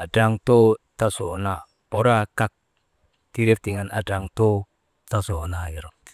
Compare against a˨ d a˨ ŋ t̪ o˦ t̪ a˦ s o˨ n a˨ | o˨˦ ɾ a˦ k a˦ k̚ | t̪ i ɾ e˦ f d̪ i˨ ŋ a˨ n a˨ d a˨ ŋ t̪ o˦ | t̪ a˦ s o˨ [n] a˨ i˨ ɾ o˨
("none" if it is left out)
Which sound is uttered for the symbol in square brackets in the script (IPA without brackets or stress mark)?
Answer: n